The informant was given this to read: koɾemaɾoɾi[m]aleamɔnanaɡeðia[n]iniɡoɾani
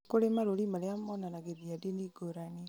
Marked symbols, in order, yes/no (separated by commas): yes, no